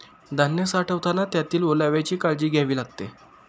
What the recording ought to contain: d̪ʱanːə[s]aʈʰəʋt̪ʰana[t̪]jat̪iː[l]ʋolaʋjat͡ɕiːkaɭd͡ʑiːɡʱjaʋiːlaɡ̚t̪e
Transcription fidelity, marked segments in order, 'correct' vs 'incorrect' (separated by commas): correct, correct, correct